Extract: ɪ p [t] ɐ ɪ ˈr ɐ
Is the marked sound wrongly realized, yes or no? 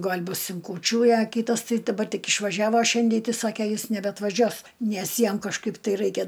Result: no